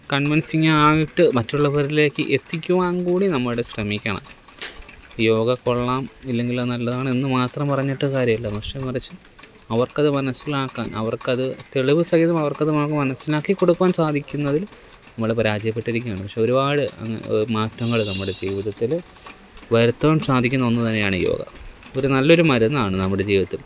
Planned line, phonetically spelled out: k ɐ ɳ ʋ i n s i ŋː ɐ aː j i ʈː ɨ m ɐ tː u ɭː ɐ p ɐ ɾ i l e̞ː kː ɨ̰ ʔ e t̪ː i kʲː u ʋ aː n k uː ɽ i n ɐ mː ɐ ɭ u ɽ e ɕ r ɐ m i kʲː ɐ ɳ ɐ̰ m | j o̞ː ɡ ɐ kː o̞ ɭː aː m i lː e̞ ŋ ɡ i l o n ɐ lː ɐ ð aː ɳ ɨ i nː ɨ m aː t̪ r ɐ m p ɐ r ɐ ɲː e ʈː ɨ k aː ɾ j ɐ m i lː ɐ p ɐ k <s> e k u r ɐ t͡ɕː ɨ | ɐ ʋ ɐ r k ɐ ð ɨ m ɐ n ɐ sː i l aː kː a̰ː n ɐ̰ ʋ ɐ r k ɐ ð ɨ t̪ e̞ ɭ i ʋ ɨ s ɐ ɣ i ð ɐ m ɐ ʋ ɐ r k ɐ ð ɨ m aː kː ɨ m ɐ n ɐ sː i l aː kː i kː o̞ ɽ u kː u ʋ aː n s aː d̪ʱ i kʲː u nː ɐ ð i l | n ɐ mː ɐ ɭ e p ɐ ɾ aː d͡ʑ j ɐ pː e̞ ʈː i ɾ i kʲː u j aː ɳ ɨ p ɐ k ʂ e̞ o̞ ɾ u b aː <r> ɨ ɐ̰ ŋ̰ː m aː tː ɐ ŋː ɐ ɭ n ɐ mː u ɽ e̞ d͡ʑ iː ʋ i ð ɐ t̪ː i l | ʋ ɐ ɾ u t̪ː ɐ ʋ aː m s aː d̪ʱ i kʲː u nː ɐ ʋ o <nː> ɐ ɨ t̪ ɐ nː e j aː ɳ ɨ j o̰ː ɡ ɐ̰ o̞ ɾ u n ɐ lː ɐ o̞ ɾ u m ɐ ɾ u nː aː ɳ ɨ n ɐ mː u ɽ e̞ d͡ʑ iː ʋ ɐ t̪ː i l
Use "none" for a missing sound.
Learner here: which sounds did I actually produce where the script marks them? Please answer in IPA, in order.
ʂ, ɽ, nː

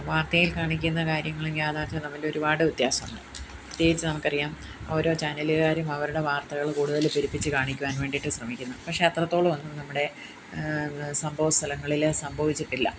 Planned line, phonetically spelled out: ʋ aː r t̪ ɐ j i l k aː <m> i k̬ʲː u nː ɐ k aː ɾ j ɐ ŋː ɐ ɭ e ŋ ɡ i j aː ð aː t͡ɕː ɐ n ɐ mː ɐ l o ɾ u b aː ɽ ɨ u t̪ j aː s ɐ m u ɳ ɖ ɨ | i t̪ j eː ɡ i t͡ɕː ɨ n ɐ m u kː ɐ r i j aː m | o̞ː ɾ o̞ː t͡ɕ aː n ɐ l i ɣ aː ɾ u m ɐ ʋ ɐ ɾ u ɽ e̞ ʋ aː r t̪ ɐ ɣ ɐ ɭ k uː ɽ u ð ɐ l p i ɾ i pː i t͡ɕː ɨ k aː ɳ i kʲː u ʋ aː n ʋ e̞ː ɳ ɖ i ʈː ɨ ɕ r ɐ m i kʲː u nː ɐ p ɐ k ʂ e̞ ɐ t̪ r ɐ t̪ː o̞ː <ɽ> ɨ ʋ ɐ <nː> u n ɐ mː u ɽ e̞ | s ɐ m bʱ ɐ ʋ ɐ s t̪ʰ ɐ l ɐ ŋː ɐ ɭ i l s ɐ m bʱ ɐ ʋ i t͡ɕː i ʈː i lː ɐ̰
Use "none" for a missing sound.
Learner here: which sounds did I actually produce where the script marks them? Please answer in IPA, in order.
ɳ, ɭ, nː

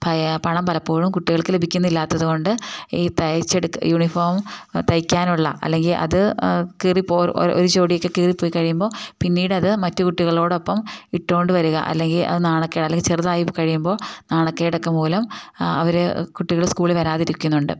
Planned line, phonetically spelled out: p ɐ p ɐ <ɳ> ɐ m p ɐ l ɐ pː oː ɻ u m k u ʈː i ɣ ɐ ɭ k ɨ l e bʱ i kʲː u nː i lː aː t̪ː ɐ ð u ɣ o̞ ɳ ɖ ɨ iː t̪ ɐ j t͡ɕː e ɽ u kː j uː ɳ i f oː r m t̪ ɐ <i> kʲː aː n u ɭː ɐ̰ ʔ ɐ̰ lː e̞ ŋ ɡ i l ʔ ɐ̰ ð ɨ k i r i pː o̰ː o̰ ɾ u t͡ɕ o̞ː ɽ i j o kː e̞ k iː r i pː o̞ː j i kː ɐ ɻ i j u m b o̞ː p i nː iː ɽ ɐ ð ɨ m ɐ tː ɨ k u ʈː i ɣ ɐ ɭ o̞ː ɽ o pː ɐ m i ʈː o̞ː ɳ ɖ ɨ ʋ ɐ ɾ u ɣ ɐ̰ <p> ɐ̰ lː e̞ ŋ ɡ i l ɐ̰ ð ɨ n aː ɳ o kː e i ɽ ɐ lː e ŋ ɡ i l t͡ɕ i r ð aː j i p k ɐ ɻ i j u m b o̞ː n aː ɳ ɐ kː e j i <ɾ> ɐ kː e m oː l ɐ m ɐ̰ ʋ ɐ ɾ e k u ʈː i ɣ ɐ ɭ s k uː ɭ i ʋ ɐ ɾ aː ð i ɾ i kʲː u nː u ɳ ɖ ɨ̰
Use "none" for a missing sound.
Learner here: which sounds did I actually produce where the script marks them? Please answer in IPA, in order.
ɳ, j, ʔ, ɽ

